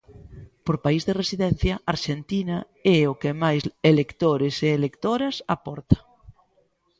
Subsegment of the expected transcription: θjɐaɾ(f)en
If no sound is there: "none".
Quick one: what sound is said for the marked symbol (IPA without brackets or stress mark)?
ʃ